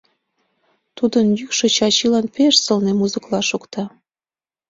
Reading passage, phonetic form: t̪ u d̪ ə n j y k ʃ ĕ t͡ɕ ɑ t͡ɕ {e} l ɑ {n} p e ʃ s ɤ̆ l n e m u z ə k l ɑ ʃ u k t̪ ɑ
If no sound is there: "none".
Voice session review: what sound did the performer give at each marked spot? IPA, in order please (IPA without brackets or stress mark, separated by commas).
i, n